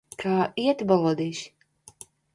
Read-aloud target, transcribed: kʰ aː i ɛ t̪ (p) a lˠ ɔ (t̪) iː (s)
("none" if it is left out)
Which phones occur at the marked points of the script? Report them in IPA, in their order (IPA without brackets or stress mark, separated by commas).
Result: b, d̪, ʃ